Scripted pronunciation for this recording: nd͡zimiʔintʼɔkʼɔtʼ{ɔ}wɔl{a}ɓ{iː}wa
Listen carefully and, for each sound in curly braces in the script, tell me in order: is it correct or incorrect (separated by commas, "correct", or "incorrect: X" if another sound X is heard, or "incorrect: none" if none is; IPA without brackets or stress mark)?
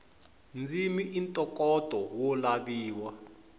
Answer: correct, correct, correct